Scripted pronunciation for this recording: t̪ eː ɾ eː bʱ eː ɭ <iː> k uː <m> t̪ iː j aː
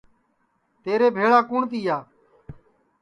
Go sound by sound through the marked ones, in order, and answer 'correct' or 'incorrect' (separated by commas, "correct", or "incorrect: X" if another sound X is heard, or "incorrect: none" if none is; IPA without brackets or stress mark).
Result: incorrect: aː, incorrect: ɳ